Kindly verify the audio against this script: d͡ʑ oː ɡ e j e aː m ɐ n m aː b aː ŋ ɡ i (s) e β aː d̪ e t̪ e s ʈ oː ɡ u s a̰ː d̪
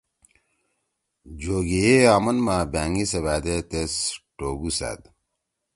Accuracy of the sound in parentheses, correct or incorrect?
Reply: correct